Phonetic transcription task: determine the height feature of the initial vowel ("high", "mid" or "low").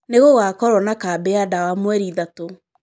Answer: mid